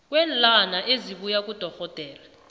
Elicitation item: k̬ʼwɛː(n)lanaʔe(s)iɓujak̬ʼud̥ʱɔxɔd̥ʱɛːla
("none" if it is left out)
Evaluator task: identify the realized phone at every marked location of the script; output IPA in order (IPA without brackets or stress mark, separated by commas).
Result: n, z